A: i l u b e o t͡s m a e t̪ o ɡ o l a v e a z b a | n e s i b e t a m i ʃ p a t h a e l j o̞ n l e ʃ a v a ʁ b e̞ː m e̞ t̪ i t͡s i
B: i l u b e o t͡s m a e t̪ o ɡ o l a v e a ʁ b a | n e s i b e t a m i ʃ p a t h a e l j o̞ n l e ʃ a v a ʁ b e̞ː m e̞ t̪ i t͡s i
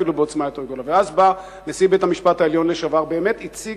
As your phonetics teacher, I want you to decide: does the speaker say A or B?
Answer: A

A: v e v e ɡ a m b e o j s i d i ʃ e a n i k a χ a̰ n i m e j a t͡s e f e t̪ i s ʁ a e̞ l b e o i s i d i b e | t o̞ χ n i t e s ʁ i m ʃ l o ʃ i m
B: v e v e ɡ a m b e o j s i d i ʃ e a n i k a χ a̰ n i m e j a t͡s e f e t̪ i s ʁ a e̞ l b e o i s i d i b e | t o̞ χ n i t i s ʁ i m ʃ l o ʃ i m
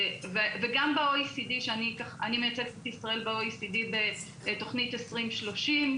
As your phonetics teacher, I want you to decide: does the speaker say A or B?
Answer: A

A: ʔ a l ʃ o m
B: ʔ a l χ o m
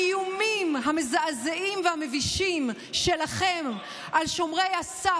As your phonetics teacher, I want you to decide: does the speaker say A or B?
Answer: A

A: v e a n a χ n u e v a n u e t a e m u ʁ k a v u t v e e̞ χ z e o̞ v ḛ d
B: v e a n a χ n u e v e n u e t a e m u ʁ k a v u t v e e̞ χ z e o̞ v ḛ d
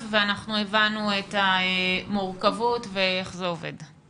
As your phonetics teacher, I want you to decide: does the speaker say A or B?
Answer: A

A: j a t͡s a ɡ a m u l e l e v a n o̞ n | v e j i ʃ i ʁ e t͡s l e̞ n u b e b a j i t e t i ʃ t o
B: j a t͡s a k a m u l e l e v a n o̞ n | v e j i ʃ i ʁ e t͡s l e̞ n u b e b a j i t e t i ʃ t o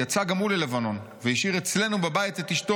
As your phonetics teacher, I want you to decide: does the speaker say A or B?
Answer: A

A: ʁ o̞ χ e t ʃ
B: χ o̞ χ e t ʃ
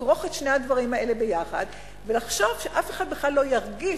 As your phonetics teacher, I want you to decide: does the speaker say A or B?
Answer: A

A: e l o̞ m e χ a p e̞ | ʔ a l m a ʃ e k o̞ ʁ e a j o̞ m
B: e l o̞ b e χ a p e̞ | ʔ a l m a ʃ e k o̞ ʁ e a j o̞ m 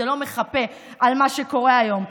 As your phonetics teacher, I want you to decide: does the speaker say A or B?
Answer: A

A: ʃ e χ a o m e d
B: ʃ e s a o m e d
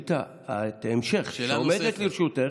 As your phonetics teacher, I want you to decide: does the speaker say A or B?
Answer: A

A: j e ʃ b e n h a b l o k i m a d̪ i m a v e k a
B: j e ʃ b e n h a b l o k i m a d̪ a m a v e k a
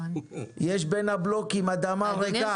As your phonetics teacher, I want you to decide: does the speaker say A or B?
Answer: B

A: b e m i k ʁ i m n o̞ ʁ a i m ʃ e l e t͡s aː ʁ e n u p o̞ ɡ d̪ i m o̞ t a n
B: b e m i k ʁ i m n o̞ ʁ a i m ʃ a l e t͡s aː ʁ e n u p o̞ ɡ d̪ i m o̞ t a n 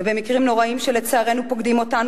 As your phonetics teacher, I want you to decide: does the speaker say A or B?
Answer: A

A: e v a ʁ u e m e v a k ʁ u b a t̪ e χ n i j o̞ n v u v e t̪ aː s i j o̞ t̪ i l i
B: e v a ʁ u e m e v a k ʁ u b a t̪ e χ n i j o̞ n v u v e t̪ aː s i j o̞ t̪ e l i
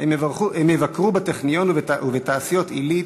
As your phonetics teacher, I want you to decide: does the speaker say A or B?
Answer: A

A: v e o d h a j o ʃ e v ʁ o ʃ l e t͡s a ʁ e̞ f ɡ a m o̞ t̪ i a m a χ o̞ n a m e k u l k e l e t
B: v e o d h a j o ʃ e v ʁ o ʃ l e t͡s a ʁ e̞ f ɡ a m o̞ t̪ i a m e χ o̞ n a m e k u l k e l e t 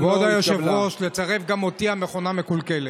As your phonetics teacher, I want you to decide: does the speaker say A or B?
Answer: B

